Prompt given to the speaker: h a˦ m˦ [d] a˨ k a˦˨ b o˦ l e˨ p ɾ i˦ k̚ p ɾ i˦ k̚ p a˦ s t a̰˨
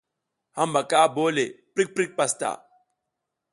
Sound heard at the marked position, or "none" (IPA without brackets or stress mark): b